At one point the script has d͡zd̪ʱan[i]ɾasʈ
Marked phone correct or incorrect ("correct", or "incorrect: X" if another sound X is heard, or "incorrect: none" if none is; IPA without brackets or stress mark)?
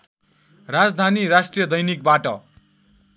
correct